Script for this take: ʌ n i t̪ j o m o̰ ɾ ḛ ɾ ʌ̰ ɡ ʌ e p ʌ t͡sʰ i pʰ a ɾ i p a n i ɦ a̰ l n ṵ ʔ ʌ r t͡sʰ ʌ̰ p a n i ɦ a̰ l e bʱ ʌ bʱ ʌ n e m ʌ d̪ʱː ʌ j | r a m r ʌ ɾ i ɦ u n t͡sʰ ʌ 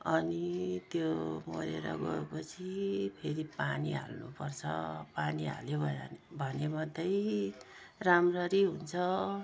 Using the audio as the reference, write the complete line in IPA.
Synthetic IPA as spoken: ʌ n i t̪ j o m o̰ ɾ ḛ ɾ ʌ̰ ɡ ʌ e p ʌ t͡sʰ i pʰ e ɾ i p a n i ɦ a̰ l n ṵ p ʌ r t͡sʰ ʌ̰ p a n i ɦ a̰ l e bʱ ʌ bʱ ʌ n e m ʌ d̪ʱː ʌ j | r a m r ʌ ɾ i ɦ u n t͡sʰ ʌ